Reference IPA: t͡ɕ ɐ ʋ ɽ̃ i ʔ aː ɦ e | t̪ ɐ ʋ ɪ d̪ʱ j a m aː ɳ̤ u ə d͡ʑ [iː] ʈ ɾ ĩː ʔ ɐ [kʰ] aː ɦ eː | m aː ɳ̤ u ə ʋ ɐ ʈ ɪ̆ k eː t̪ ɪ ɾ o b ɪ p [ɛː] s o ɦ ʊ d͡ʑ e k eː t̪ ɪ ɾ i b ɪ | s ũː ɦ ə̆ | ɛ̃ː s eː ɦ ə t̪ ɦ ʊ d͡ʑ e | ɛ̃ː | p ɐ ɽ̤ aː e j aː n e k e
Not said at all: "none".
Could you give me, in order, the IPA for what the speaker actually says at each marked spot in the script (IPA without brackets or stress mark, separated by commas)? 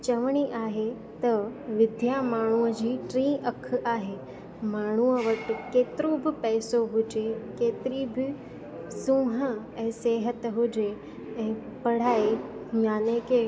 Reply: iː, kʰ, ɛː